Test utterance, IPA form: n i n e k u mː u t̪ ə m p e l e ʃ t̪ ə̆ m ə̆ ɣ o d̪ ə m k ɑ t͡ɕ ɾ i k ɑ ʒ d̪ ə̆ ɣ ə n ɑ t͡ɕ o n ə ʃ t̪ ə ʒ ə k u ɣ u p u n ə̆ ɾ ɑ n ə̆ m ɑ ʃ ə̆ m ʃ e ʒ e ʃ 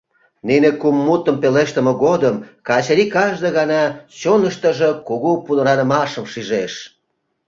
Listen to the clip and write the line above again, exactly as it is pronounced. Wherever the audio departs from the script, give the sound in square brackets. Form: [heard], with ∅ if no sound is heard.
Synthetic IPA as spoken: n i n e k u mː u t̪ ə m p e l e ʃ t̪ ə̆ m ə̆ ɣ o d̪ ə m k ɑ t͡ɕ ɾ i k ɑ ʒ d̪ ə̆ ɣ [ɑ] n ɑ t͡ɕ o n ə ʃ t̪ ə ʒ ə k u ɣ u p u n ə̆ ɾ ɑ n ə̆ m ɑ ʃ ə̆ m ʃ [i] ʒ e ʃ

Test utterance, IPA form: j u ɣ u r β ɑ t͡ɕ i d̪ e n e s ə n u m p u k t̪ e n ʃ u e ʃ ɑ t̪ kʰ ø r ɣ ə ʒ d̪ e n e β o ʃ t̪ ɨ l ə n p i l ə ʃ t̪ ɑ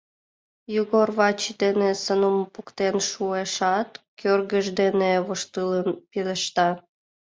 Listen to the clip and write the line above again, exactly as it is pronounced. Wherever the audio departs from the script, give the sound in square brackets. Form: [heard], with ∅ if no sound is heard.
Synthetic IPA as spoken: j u ɣ [o] r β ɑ t͡ɕ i d̪ e n e s ə n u m p u k t̪ e n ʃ u e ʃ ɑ t̪ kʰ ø r ɣ ə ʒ d̪ e n e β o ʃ t̪ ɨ l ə n p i l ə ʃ t̪ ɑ

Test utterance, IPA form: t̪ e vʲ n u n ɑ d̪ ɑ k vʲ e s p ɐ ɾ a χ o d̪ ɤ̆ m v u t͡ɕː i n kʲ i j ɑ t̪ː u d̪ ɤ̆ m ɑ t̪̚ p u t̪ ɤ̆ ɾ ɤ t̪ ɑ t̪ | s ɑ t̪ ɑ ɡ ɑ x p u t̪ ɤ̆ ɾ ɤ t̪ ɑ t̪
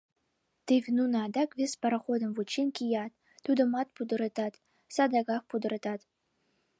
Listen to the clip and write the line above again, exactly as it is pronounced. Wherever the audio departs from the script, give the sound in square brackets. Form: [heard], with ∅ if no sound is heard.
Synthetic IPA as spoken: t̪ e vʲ n u n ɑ d̪ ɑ k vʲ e s p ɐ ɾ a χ o d̪ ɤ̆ m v u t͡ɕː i n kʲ i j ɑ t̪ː u d̪ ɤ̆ m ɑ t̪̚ p u [d̪] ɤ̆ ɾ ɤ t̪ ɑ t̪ | s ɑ [d̪] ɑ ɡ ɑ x p u [d̪] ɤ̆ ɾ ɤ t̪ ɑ t̪

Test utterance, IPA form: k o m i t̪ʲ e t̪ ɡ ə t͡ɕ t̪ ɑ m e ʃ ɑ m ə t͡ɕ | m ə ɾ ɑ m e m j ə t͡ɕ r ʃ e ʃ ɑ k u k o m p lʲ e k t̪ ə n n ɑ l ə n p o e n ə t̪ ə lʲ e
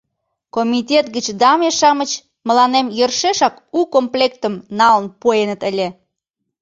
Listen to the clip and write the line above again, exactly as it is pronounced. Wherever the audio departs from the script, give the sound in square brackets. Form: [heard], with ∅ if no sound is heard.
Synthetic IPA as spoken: k o m i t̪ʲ e t̪ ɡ ə t͡ɕ [d̪] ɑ m e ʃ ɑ m ə t͡ɕ | m ə [l] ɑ [n] e m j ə [∅] r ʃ e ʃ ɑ k u k o m p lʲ e k t̪ ə [m] n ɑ l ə n p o e n ə t̪ ə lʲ e

